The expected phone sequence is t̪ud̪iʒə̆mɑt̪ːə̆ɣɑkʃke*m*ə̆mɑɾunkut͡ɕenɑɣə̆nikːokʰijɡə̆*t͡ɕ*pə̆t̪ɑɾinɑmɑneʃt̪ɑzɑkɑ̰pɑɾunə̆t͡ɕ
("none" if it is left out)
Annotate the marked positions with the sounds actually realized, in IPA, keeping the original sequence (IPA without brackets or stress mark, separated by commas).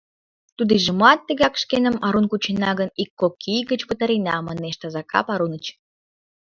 n, t͡ɕ